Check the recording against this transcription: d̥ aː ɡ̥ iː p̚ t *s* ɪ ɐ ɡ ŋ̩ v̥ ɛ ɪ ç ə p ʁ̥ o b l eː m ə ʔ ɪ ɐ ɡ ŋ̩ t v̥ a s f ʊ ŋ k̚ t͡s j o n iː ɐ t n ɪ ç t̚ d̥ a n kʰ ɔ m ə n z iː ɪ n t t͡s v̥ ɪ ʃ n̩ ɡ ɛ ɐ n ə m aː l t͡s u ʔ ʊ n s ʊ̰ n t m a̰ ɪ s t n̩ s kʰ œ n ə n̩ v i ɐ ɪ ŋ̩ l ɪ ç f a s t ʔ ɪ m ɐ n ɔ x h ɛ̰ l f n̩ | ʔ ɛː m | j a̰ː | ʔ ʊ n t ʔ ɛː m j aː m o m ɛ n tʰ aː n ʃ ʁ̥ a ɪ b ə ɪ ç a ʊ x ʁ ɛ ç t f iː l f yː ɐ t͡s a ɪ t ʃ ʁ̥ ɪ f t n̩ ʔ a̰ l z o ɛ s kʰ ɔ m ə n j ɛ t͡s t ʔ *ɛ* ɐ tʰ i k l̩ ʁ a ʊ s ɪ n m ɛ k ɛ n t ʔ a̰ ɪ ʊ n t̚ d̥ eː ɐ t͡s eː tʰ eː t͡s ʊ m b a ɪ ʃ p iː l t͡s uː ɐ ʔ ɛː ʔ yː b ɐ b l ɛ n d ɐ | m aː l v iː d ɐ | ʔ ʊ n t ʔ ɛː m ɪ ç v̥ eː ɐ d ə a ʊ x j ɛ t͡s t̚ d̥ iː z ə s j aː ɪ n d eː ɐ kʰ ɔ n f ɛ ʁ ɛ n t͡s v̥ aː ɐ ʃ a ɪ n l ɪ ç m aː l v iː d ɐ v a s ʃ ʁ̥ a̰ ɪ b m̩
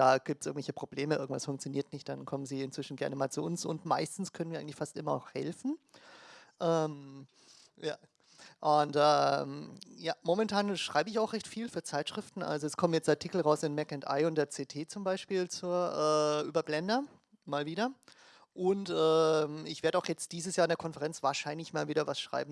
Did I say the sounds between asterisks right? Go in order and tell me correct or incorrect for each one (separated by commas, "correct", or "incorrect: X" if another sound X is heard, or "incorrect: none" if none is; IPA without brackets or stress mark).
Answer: correct, incorrect: a